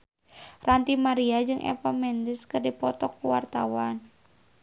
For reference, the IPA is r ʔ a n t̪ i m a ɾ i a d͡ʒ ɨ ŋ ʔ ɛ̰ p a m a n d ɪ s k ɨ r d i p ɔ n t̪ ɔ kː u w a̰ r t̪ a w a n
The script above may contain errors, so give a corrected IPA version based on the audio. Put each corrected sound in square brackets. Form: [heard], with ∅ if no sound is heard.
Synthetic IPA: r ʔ a n t̪ i m a ɾ i a d͡ʒ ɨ ŋ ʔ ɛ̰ p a m [ɛ] n d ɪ s k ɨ r d i p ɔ [∅] t̪ ɔ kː u w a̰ r t̪ a w a n